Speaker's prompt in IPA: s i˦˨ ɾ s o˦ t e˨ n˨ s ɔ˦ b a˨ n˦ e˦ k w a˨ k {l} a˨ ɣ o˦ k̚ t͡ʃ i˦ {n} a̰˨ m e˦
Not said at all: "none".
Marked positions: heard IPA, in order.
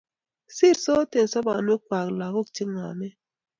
l, ŋ

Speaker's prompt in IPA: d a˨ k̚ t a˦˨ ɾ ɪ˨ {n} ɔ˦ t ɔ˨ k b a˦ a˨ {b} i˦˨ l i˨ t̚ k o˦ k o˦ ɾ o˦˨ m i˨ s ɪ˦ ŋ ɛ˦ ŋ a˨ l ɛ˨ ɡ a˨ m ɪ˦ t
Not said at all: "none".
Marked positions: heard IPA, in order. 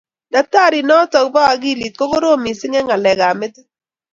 n, ɡ

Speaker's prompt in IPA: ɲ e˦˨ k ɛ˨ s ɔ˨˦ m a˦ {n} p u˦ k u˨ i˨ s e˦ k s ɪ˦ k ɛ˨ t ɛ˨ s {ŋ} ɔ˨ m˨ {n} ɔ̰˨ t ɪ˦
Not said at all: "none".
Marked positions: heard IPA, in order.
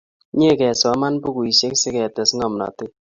n, ŋ, n

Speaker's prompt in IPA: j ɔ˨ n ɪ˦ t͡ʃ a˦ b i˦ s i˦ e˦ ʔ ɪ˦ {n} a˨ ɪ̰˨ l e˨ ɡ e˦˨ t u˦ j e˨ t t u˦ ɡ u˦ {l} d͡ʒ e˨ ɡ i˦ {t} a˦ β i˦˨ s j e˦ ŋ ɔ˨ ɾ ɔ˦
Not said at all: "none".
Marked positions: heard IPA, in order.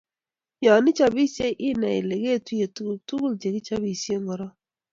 n, l, t͡ʃ

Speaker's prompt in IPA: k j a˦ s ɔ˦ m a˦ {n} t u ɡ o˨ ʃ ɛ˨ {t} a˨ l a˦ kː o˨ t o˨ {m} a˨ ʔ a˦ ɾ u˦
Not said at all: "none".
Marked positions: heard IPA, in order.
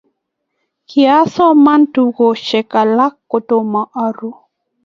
n, k, m

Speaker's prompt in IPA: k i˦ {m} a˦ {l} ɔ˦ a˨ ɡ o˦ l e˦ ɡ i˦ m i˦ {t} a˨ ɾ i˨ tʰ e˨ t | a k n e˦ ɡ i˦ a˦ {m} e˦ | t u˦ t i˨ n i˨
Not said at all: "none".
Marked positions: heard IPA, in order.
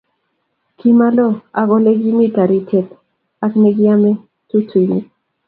m, l, t, m

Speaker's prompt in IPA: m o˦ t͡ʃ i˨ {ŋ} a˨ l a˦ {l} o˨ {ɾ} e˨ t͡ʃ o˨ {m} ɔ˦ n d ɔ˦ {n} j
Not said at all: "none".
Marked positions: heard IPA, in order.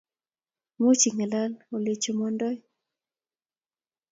ŋ, l, l, m, none

